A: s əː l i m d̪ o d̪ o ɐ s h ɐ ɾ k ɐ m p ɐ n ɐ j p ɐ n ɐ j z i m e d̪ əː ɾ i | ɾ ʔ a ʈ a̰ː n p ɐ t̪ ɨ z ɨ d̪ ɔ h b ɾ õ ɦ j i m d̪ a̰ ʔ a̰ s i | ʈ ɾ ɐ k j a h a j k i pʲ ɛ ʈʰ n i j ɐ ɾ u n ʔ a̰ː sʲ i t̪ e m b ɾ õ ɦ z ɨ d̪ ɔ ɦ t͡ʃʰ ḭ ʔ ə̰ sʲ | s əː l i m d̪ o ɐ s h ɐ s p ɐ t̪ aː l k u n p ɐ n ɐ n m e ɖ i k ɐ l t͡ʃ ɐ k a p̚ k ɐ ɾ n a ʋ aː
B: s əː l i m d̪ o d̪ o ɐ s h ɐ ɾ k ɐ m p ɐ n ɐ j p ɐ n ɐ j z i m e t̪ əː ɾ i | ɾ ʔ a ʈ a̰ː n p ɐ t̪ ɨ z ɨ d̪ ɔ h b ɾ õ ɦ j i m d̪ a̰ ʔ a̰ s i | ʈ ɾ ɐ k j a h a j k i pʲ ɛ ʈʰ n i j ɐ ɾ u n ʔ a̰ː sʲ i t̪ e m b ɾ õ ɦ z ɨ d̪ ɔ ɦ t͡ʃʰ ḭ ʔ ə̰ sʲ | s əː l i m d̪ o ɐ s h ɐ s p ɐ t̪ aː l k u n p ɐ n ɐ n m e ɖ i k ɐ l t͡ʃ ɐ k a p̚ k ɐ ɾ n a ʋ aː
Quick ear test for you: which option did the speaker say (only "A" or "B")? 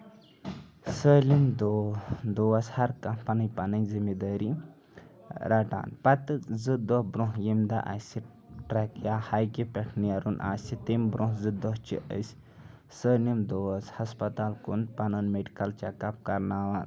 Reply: A